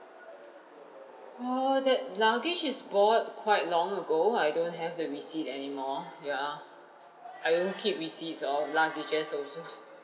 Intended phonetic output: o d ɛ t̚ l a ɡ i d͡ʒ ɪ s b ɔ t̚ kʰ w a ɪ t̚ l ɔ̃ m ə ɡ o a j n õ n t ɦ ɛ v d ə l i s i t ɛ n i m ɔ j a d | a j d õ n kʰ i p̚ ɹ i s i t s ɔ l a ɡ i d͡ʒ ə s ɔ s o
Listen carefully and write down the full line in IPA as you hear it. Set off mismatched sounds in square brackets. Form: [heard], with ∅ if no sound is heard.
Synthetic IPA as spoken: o d ɛ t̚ l a ɡ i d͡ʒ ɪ s b ɔ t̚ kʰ w a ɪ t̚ l ɔ̃ [ŋ] ə ɡ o a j [d] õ n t ɦ ɛ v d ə [ɹ] i s i t ɛ n i m ɔ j a [∅] | a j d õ n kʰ i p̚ ɹ i s i t s ɔ l a ɡ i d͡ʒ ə s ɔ s o